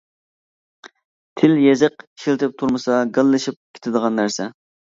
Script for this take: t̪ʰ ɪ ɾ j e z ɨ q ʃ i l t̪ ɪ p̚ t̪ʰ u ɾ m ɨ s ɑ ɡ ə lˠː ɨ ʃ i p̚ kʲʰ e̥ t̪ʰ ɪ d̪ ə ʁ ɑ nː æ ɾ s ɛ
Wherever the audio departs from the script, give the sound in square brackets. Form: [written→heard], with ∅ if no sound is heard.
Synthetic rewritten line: t̪ʰ ɪ [ɾ→l] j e z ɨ q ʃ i l t̪ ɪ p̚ t̪ʰ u ɾ m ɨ s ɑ ɡ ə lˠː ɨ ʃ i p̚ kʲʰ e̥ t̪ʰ ɪ d̪ ə ʁ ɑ nː æ ɾ s ɛ